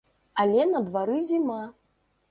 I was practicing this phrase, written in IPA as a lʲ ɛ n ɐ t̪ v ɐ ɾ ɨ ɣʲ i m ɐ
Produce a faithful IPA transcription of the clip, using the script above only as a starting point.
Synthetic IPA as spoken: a lʲ ɛ n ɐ d̪ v a ɾ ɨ zʲ i m a